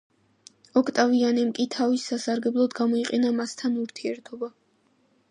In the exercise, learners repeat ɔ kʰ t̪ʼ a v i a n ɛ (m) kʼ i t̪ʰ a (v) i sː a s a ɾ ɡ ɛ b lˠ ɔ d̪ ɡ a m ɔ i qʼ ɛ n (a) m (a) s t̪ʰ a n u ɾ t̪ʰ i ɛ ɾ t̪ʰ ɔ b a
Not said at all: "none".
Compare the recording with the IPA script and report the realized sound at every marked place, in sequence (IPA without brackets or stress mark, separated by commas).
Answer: m, v, a, a